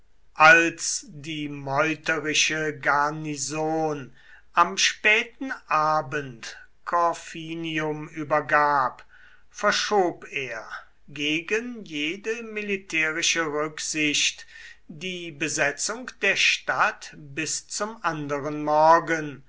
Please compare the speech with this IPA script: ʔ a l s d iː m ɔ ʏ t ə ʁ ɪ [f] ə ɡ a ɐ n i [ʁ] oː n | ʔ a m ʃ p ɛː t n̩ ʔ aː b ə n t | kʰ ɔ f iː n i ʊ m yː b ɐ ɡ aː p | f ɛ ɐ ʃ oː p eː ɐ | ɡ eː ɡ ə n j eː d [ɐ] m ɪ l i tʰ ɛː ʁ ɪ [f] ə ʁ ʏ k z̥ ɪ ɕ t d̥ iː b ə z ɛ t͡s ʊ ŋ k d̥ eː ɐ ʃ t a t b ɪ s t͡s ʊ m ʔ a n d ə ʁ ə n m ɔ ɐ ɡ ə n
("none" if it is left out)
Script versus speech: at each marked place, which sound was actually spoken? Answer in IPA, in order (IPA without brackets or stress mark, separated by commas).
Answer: ʃ, z, ə, ʃ